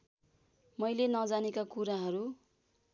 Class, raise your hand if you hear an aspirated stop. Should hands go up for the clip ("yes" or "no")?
no